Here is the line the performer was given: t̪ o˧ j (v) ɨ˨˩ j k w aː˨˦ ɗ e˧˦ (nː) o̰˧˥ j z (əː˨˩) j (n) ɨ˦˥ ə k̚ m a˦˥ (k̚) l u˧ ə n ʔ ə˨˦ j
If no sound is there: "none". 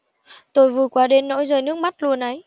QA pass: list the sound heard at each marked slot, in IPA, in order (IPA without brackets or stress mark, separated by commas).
v, nː, əː˨˩, n, t̚